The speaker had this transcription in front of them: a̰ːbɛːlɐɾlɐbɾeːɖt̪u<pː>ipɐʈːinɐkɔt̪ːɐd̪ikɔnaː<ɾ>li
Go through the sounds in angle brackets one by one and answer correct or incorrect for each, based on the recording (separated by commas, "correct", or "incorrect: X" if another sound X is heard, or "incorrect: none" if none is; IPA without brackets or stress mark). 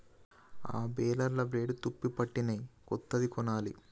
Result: correct, incorrect: none